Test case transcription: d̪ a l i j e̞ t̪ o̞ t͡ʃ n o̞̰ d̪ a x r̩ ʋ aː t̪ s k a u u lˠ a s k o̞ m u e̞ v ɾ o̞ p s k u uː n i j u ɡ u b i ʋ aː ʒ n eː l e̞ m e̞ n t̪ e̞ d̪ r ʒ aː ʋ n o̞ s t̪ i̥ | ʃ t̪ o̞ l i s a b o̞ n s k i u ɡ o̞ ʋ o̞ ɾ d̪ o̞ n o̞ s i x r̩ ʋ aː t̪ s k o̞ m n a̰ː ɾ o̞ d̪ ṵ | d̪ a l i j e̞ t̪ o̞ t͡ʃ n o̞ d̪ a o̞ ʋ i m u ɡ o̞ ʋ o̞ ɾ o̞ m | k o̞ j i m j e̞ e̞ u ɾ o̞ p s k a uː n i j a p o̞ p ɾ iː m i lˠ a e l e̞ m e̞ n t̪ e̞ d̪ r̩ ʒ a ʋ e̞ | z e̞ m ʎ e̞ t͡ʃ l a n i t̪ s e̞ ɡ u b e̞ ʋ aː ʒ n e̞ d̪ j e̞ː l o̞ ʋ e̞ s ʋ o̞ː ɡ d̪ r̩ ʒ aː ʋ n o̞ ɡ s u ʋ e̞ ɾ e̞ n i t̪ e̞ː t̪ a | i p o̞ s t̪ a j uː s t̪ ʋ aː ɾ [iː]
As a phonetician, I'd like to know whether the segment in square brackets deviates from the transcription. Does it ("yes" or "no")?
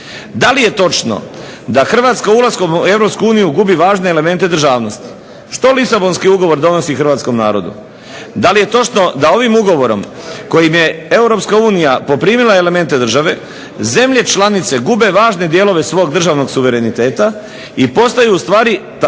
yes